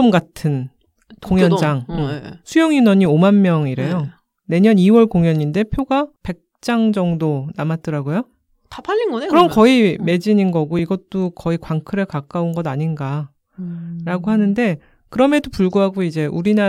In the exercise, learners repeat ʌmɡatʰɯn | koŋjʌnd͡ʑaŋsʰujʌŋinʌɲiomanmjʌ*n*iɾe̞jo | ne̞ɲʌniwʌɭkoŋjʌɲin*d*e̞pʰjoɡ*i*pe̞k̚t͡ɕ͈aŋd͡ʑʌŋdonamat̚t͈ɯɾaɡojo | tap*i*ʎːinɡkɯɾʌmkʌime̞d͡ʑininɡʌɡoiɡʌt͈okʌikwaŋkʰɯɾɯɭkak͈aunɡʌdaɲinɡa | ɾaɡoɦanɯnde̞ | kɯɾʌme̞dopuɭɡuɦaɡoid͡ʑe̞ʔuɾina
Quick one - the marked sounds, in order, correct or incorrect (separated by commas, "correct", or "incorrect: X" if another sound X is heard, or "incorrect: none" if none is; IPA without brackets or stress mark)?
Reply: incorrect: ŋ, correct, incorrect: a, incorrect: a